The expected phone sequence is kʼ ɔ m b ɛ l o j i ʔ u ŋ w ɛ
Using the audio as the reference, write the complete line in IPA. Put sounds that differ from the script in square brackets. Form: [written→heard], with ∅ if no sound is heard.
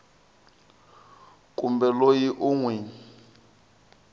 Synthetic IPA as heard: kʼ [ɔ→u] m b ɛ l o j i ʔ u ŋ w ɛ